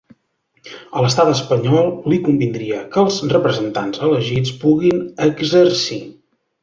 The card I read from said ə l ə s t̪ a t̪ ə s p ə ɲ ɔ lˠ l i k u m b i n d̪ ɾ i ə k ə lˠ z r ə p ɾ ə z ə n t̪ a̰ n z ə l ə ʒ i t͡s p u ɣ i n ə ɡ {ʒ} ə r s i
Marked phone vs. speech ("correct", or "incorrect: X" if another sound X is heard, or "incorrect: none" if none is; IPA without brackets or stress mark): incorrect: z